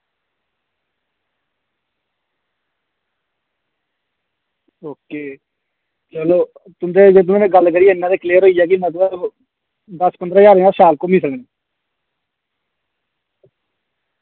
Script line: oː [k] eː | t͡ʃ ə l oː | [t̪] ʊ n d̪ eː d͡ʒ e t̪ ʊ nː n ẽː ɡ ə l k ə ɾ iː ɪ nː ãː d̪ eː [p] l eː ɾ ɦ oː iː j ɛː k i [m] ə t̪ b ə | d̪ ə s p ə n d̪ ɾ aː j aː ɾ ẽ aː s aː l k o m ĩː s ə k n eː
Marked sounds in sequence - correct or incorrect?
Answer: correct, correct, incorrect: k, correct

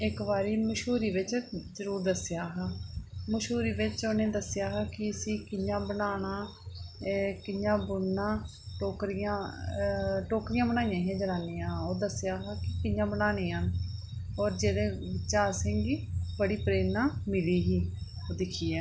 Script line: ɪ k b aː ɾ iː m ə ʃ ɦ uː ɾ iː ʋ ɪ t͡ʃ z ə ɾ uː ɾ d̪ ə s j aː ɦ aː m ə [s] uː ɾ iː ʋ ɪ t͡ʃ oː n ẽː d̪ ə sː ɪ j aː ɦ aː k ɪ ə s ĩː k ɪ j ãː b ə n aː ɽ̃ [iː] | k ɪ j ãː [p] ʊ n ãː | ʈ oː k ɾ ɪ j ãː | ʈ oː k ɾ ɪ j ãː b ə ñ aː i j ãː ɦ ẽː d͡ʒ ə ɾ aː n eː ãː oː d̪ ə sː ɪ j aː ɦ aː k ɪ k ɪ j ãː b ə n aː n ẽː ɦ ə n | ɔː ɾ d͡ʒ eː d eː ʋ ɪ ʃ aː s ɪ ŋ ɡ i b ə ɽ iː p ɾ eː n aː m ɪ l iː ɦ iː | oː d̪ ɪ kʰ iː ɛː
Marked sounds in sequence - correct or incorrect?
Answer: incorrect: ʃ, incorrect: aː, incorrect: b

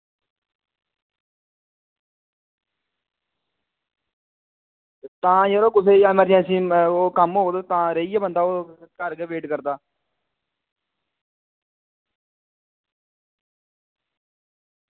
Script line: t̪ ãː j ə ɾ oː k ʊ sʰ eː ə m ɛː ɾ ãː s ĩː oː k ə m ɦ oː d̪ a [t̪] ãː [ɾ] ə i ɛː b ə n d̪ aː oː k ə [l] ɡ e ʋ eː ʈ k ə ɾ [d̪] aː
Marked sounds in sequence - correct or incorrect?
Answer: correct, correct, incorrect: ɾ, correct

